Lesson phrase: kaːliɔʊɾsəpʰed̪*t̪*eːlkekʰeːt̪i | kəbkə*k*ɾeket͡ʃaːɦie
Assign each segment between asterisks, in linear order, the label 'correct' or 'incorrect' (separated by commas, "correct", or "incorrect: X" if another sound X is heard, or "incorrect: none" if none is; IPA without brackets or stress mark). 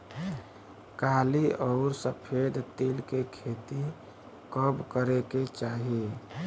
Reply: correct, incorrect: none